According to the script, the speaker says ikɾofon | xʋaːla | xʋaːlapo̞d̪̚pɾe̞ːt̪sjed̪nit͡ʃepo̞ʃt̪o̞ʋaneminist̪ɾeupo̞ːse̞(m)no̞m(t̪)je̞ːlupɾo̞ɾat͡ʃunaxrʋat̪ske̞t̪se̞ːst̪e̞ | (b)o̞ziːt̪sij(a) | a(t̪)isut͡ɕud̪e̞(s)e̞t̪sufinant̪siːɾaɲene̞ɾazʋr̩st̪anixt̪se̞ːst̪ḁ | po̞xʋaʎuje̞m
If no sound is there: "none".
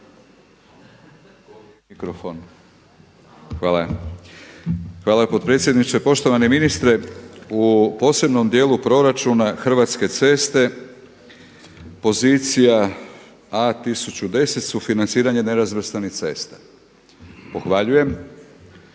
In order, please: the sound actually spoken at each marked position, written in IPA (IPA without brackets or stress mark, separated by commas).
b, d̪, p, a, t̪, s